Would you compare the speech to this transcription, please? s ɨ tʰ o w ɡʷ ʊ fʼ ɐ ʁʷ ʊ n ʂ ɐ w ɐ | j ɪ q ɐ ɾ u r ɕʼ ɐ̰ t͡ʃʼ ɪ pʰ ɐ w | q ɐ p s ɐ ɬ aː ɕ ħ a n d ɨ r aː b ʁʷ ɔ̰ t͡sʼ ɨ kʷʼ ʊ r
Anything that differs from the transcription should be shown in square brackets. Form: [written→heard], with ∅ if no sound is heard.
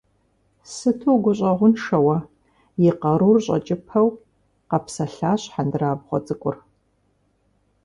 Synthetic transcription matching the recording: s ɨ tʰ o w ɡʷ ʊ [fʼ→ɕʼ] ɐ ʁʷ ʊ n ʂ ɐ w ɐ | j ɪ q ɐ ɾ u r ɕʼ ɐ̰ t͡ʃʼ ɪ pʰ ɐ w | q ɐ p s ɐ ɬ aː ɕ ħ a n d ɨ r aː b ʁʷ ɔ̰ t͡sʼ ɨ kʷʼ ʊ r